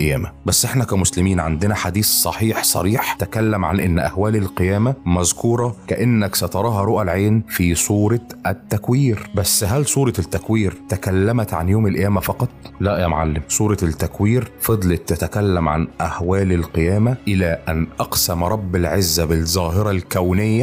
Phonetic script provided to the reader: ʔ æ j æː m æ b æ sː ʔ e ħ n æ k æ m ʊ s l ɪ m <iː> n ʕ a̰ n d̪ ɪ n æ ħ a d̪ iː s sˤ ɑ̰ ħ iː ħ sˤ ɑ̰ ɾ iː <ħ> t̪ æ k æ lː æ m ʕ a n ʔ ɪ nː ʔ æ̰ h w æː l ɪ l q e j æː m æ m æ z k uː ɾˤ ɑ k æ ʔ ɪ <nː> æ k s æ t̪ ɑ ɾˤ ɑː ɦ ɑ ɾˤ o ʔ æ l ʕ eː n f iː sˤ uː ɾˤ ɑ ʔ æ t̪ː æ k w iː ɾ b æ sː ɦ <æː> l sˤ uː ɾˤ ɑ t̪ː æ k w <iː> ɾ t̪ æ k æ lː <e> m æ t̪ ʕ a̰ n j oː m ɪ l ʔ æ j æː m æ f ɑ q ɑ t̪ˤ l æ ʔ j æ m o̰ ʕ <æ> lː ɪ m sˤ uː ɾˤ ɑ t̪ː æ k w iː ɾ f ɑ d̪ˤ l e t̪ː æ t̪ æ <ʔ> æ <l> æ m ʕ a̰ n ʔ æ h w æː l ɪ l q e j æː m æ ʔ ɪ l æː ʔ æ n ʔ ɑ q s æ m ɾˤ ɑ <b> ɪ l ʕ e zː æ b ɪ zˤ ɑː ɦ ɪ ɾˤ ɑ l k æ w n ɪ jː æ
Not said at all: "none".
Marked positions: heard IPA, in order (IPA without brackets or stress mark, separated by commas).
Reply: iː, ħ, nː, æ, iː, æ, a, k, lː, bː